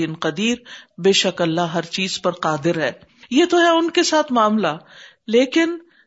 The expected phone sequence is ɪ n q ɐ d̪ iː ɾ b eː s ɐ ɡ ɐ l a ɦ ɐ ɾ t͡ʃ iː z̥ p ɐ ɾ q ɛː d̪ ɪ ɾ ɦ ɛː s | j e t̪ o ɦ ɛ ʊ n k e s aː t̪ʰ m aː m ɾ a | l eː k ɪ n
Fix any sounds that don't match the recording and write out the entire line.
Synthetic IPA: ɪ n q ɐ d̪ iː ɾ b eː ʃ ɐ k ɐ lː a ɦ ɐ ɾ t͡ʃ iː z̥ p ɐ ɾ q aː d̪ ɪ ɾ ɦ ɛː | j e t̪ o ɦ ɛ ʊ n k e s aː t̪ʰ m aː m l a | l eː k ɪ n